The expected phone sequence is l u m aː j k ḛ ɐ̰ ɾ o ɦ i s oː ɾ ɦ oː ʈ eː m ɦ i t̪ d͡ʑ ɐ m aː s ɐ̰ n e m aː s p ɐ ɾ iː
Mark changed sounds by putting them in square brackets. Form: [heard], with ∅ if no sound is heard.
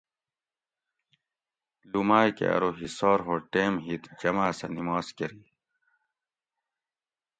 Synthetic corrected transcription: l u m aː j k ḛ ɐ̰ ɾ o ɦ i s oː ɾ ɦ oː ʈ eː m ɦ i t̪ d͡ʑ ɐ m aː s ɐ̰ n [i] m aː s [k] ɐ ɾ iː

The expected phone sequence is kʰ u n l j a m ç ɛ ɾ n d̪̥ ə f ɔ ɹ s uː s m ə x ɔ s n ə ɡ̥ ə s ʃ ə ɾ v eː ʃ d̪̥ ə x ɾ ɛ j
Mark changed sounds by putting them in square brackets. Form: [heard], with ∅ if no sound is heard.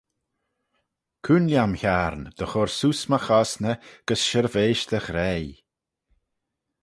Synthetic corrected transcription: kʰ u n l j a m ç [a] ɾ n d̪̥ ə [x] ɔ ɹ s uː s m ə x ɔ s n ə ɡ̥ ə s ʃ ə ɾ v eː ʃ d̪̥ ə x ɾ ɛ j

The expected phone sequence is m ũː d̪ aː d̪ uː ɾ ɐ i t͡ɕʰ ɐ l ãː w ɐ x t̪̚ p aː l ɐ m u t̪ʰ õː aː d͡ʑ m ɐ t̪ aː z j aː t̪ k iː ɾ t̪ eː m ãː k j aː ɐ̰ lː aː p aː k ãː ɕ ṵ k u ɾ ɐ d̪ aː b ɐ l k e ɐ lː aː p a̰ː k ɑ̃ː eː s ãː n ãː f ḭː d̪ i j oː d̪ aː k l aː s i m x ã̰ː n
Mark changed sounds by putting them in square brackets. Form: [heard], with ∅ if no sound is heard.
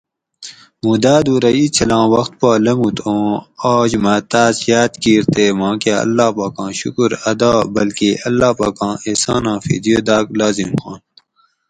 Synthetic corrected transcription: m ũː d̪ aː d̪ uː ɾ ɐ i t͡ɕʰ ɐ l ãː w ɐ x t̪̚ p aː l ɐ m u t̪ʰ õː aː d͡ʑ m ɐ t̪ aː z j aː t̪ k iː ɾ t̪ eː m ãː k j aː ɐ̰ lː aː p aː k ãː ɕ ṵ k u ɾ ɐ d̪ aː b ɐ l k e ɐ lː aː p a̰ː k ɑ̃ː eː s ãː n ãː f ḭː d̪ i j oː d̪ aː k l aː [z] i m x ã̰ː n

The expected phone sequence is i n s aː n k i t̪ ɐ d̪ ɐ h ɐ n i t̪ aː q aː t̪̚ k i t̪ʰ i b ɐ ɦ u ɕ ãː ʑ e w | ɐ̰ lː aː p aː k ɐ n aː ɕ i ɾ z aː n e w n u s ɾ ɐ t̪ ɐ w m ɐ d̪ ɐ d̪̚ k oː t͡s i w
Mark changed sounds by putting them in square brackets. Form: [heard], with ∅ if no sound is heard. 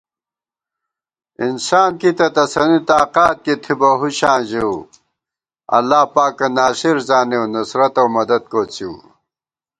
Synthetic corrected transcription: i n s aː n k i t̪ ɐ [t̪] ɐ [s] ɐ n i t̪ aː q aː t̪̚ k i t̪ʰ i b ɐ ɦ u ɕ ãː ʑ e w | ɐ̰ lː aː p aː k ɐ n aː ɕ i ɾ z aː n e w n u s ɾ ɐ t̪ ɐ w m ɐ d̪ ɐ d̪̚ k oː t͡s i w

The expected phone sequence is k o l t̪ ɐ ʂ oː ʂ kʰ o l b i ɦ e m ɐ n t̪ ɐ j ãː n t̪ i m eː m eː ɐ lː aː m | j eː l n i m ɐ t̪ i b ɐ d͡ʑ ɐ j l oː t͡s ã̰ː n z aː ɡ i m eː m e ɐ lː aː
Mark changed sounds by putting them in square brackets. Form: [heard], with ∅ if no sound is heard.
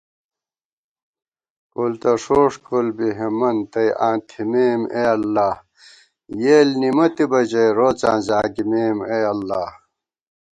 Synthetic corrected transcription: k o l t̪ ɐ ʂ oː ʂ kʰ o l b i ɦ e m ɐ n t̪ ɐ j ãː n [t̪ʰ] i m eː m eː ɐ lː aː [∅] | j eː l n i m ɐ t̪ i b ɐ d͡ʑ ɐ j [ɾ] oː t͡s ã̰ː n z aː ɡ i m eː m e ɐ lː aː

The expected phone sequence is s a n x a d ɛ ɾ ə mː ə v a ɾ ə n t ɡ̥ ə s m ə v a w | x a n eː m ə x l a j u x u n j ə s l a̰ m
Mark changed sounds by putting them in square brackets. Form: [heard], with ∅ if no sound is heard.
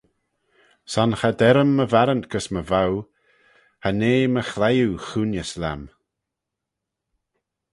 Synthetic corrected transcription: s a n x a d ɛ ɾ ə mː ə v a ɾ ə n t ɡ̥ ə s m ə v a w | [h] a n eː m ə x l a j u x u n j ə s l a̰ m

